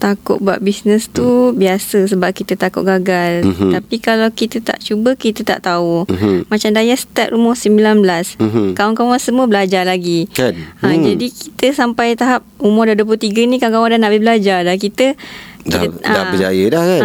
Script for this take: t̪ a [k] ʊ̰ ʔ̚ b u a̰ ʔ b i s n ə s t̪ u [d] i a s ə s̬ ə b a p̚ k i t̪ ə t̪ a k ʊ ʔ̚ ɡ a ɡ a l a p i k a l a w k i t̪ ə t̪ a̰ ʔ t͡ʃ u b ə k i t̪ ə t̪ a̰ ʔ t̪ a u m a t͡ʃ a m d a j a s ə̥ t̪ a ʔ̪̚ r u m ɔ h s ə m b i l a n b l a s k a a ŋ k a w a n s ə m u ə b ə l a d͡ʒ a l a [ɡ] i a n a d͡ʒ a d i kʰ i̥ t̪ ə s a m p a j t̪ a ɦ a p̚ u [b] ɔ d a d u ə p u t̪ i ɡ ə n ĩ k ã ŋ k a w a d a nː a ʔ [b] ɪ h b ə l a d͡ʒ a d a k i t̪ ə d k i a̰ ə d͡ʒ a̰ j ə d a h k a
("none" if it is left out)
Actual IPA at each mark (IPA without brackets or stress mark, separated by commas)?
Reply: k, b, ɡ, m, b